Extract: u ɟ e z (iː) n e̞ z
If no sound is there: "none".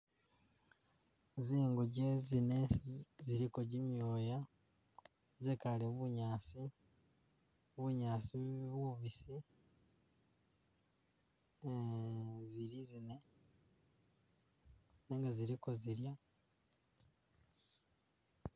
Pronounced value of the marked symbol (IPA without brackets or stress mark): i